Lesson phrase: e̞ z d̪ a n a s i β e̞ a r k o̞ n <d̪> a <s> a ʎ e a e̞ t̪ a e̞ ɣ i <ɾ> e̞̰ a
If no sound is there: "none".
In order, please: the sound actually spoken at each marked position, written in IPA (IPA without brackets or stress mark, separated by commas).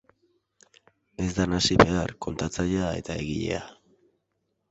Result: t̪, t͡s, ʎ